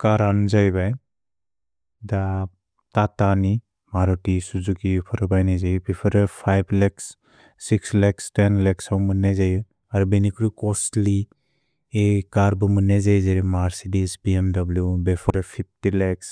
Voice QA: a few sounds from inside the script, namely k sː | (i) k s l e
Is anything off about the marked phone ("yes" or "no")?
no